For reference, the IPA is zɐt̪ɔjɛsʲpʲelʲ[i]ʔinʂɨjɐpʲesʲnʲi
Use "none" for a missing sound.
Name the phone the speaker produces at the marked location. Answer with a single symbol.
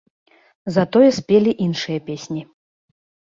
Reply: i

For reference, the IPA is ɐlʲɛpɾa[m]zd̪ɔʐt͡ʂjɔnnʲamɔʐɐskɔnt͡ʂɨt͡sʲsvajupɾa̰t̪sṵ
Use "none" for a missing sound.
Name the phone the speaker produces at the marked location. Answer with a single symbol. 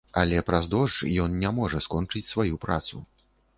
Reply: none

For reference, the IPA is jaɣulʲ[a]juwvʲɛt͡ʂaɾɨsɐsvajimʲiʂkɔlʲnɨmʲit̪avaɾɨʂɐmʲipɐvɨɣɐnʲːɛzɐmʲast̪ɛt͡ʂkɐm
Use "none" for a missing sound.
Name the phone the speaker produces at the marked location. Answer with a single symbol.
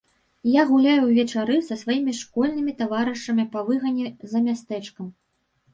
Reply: a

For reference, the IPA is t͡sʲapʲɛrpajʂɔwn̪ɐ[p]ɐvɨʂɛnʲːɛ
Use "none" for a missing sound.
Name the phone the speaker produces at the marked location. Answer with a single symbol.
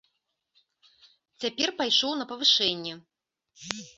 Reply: p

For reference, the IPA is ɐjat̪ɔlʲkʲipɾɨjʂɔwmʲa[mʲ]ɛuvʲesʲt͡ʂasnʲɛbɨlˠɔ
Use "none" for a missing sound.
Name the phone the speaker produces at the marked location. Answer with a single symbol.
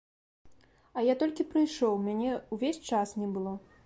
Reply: nʲ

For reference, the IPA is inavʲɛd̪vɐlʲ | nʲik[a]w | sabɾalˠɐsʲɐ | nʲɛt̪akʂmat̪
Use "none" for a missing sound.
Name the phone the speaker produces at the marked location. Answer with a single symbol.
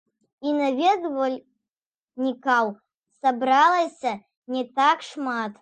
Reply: a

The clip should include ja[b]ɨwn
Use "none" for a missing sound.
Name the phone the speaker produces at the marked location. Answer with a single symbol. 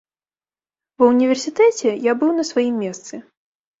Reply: b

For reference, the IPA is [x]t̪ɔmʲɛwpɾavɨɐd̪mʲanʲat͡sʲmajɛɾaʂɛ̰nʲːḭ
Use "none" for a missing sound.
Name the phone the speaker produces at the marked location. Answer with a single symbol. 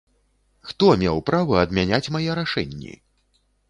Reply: x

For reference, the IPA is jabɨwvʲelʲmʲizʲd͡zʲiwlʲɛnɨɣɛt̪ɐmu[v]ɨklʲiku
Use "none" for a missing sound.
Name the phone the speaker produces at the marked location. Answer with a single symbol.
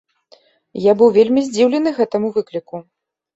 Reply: v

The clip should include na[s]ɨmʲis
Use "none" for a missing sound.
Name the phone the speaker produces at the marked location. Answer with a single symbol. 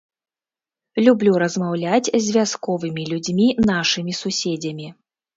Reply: ʂ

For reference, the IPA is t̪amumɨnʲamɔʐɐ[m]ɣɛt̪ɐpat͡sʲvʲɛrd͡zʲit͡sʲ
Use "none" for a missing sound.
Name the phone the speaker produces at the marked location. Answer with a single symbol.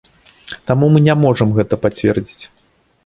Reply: m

